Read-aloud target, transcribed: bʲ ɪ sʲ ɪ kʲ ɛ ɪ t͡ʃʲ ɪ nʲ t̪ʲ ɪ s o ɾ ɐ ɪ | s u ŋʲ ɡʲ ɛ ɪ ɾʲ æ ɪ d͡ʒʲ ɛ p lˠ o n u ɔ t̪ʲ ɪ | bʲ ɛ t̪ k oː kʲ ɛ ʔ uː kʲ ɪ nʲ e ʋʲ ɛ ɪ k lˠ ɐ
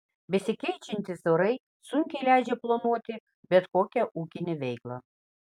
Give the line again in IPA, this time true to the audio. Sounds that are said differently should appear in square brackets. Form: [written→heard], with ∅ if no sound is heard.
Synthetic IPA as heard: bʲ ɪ sʲ ɪ kʲ ɛ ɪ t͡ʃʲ ɪ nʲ t̪ʲ ɪ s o ɾ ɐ ɪ | s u ŋʲ [ɡʲ→kʲ] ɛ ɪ [ɾʲ→lʲ] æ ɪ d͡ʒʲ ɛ p lˠ o n u ɔ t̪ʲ ɪ | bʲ ɛ t̪ k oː kʲ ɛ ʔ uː kʲ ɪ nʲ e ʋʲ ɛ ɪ k lˠ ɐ